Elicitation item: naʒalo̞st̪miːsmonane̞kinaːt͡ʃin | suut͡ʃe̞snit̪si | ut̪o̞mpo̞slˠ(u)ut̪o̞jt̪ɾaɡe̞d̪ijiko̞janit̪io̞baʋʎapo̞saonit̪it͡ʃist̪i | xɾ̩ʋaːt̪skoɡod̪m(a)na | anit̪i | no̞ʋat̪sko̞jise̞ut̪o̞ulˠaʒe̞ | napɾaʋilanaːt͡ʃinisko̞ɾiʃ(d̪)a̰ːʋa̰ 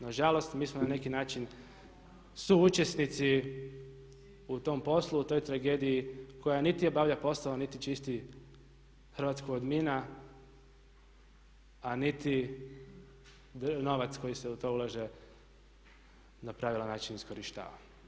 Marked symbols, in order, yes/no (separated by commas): yes, no, no